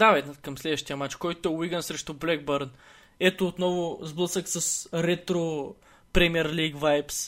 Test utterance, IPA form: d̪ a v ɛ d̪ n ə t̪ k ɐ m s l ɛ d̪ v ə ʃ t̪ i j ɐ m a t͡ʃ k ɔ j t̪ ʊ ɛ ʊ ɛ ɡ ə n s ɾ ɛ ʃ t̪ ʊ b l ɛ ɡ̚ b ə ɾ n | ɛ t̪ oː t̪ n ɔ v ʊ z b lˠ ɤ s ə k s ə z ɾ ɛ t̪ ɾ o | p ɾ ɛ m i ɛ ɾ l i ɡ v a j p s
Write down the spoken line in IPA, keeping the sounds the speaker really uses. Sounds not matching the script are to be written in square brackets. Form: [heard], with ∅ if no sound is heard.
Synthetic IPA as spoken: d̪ a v ɛ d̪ n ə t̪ k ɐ m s l ɛ d̪ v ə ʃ t̪ i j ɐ m a t͡ʃ k ɔ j t̪ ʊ ɛ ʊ [i] ɡ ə n s ɾ ɛ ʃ t̪ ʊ b l ɛ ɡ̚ b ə ɾ n | ɛ t̪ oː t̪ n ɔ v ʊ z b lˠ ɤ s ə k s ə [s] ɾ ɛ t̪ ɾ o | p ɾ ɛ m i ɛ ɾ l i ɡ v a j p s